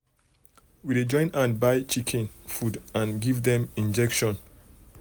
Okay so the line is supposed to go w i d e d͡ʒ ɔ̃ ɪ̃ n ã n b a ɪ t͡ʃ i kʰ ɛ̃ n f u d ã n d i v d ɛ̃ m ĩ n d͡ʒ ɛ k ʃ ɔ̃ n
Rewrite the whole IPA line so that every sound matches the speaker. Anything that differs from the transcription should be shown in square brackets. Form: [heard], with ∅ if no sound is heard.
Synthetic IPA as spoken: w i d e d͡ʒ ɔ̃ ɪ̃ n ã n b a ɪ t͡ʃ i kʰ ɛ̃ n f u d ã n [ɡ] i v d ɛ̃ m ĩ n d͡ʒ ɛ k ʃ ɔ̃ n